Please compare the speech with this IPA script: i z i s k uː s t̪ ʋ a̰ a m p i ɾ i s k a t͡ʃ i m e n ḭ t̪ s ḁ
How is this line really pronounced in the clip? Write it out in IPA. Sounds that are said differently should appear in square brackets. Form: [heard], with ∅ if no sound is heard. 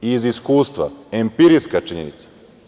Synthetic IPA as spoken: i z i s k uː s t̪ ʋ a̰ [e] m p i ɾ i s k a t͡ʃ i [ɲ] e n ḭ t̪ s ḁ